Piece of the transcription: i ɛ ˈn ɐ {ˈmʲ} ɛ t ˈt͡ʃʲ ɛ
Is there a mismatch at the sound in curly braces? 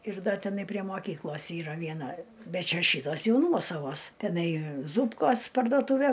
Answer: yes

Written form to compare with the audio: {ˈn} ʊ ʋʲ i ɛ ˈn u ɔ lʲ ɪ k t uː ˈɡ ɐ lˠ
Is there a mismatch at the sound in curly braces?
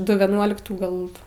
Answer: yes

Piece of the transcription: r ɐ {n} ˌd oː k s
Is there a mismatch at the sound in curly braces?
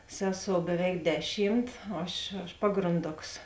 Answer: no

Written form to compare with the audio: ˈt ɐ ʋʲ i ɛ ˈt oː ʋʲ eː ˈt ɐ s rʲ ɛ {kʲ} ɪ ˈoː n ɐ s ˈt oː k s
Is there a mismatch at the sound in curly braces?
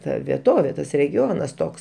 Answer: yes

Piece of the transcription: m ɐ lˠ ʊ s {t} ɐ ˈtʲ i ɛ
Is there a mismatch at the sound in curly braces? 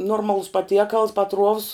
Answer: yes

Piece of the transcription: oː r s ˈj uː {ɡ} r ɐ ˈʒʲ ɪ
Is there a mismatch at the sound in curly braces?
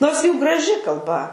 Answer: no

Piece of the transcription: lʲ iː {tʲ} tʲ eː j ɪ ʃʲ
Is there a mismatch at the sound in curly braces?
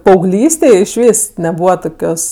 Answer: yes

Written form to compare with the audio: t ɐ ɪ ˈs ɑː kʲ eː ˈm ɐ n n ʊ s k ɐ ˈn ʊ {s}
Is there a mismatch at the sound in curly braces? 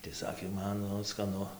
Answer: yes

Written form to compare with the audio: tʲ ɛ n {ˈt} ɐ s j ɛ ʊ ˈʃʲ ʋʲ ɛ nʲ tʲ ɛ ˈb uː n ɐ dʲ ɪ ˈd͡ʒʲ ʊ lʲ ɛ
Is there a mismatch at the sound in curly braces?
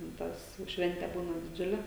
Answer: no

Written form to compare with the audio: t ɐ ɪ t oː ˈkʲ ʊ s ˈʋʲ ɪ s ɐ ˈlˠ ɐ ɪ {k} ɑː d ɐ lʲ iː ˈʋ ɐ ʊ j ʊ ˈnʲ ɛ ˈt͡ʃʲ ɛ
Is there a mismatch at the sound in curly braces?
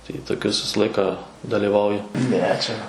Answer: no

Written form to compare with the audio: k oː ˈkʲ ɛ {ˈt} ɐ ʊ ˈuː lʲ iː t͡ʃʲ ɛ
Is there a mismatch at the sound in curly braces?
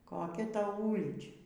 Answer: no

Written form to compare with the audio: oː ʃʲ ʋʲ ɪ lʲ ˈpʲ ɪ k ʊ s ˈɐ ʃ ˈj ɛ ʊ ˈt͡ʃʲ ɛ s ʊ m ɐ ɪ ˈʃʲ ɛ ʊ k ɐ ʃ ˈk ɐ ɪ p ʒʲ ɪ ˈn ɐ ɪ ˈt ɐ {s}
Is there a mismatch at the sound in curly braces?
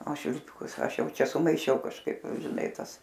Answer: no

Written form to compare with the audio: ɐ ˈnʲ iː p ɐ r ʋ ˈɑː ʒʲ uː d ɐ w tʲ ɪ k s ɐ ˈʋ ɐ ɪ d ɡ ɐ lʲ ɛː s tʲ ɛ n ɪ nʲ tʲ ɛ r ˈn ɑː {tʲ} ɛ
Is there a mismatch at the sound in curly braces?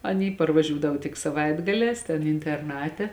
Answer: no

